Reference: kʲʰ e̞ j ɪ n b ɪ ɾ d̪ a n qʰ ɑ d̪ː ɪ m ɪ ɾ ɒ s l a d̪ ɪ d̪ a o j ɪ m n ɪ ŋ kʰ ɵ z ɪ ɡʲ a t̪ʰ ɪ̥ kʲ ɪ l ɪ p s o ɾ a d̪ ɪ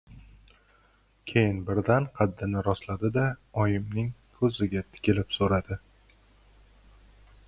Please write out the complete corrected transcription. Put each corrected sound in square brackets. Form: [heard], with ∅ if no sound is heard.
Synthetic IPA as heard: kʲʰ e̞ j ɪ n b ɪ ɾ d̪ a n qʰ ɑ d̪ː ɪ [n] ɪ ɾ ɒ s l a d̪ ɪ d̪ a [ɒ] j ɪ m n ɪ ŋ kʰ ɵ z ɪ ɡʲ a t̪ʰ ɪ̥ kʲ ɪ l ɪ p s o ɾ a d̪ ɪ